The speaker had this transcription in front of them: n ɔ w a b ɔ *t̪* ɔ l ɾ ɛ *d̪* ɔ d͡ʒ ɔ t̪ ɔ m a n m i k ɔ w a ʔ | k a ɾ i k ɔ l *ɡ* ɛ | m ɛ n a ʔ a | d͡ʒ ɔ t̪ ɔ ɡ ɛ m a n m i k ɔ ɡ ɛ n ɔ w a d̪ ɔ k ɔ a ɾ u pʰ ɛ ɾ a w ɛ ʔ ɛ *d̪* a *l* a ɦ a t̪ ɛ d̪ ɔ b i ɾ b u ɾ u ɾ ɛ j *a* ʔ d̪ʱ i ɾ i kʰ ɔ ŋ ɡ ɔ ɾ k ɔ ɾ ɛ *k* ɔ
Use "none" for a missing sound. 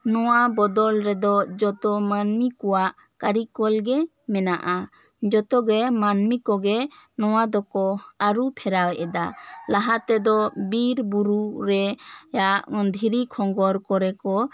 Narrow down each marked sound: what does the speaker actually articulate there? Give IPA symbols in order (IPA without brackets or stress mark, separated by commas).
d̪, d̪, ɡ, d̪, l, a, k